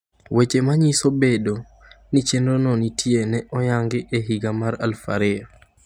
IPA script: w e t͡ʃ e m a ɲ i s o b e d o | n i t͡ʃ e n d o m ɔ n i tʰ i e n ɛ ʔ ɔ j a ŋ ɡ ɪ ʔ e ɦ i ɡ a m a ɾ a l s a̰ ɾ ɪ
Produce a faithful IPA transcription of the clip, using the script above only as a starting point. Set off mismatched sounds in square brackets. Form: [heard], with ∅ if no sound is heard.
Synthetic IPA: w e t͡ʃ e m a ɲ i s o b e d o | n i t͡ʃ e n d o [n] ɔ n i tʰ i e n ɛ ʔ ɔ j a ŋ ɡ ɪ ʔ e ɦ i ɡ a m a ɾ a l [f] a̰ ɾ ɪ